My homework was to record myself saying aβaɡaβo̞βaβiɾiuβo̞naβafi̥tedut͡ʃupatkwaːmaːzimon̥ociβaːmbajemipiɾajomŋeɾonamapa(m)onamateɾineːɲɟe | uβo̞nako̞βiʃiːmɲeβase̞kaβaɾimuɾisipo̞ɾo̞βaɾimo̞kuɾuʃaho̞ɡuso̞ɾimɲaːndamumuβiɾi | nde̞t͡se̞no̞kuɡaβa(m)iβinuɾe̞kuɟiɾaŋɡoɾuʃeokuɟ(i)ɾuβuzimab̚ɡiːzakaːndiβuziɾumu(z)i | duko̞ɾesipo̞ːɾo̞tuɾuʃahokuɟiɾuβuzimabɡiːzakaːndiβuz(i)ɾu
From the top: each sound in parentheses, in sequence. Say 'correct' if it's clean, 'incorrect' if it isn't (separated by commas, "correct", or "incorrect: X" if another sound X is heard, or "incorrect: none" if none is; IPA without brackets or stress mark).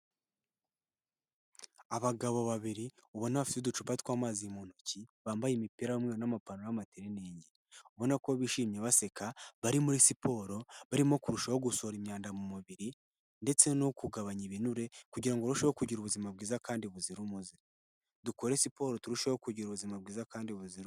incorrect: n, incorrect: ɲ, correct, correct, correct